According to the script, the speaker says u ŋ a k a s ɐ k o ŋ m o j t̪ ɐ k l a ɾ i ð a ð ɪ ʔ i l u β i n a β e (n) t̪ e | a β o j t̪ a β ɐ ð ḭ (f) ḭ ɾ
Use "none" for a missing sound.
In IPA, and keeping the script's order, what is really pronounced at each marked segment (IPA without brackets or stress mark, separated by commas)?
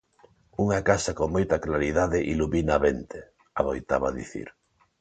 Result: n, θ